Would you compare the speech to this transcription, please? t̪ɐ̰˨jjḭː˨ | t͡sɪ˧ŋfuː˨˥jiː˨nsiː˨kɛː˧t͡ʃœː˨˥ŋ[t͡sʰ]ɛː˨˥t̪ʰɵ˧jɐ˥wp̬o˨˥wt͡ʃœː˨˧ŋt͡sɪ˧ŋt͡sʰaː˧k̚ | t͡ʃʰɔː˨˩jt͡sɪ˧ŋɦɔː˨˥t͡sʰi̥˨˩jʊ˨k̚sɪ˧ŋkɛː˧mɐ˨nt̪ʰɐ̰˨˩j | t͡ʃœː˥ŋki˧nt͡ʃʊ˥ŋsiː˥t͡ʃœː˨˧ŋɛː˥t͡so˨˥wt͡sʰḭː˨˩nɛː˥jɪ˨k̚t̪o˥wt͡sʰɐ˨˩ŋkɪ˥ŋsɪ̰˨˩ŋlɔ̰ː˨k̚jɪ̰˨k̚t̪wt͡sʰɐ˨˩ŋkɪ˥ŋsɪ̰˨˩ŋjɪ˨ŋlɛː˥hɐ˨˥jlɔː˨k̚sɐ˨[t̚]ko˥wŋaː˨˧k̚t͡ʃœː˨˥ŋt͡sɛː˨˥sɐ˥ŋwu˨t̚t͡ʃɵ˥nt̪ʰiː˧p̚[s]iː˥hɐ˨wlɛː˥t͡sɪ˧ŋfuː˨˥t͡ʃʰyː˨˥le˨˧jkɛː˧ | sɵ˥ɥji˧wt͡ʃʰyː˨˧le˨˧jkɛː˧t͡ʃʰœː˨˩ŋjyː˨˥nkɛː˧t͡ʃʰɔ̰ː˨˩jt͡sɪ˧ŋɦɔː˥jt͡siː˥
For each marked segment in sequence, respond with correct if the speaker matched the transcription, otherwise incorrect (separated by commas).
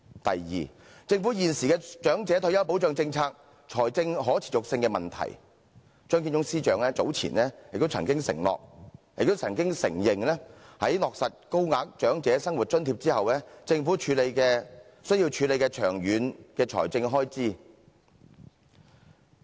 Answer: incorrect, correct, incorrect